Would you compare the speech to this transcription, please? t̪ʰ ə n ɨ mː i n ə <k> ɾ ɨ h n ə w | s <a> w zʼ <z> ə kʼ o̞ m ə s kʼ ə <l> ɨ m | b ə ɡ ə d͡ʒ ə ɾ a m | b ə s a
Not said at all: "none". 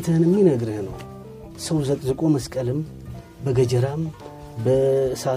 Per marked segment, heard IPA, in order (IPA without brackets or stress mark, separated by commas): ɡ, ə, z, l